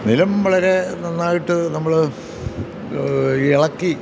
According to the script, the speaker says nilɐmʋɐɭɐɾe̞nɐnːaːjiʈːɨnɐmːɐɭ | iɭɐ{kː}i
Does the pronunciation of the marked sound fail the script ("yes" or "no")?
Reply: no